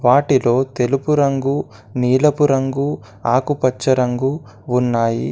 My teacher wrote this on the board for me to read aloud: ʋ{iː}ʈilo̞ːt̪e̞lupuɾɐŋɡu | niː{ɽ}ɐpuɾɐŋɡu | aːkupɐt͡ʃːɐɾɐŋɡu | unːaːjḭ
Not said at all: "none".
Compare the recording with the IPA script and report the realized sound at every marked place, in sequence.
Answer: aː, l

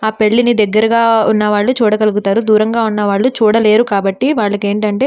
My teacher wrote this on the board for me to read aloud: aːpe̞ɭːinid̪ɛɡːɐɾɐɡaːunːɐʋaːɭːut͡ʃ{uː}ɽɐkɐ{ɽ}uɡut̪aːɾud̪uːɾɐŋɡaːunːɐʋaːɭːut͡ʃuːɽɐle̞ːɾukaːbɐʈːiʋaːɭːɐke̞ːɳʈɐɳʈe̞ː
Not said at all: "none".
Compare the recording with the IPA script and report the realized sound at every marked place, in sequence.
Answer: uː, l

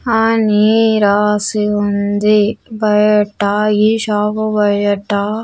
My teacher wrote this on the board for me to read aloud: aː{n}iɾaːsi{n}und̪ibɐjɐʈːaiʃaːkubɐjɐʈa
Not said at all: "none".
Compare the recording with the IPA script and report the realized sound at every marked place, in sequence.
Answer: n, none

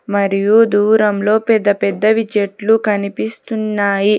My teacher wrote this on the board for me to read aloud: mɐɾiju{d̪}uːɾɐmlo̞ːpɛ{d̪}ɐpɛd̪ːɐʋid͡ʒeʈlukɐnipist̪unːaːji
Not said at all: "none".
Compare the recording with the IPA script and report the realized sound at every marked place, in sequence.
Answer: d̪, d̪ː

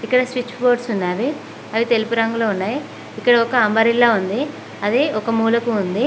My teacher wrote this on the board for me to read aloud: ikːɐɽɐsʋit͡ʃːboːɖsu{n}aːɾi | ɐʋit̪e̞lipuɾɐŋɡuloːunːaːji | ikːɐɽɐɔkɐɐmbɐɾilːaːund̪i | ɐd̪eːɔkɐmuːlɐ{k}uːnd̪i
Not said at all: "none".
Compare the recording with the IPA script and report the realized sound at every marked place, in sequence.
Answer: nː, k

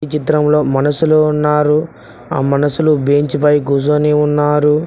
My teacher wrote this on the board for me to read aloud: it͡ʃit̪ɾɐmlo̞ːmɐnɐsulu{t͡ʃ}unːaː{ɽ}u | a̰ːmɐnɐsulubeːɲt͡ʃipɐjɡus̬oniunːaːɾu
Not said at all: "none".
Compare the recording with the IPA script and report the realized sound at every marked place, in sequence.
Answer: none, ɾ

